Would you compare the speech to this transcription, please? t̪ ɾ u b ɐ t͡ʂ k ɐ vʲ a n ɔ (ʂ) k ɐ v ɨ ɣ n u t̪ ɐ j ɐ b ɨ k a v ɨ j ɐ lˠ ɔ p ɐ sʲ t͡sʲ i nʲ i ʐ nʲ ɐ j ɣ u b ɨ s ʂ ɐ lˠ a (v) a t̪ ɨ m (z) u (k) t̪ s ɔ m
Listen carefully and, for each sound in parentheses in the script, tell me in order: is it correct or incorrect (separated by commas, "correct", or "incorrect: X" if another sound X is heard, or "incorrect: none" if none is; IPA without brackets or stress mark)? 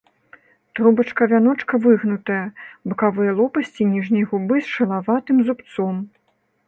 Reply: incorrect: t͡ʂ, correct, correct, incorrect: p